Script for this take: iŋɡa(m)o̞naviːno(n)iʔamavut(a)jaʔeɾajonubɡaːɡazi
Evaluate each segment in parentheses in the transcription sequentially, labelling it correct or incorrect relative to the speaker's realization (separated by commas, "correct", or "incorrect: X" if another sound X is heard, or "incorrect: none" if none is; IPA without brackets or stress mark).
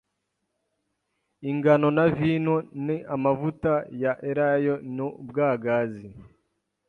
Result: incorrect: n, correct, correct